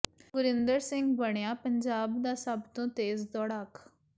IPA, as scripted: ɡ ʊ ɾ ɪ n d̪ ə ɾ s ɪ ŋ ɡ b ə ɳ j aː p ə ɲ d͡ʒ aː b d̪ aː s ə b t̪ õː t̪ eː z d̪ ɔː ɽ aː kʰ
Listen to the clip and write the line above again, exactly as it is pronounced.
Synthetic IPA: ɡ ʊ ɾ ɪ n d̪ ə ɾ s ɪ ŋ ɡ b ə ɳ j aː p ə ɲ d͡ʒ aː b d̪ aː s ə b t̪ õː t̪ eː z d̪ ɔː ɽ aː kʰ